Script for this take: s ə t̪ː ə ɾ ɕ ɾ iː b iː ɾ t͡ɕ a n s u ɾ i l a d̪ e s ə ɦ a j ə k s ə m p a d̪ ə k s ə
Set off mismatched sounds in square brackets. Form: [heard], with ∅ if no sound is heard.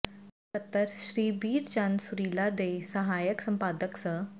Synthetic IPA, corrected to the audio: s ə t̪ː ə ɾ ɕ ɾ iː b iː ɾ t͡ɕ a n s u ɾ i l a d̪ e s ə ɦ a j ə k s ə m p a d̪ ə k s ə